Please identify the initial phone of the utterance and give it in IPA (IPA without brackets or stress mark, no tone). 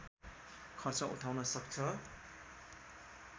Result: kʰ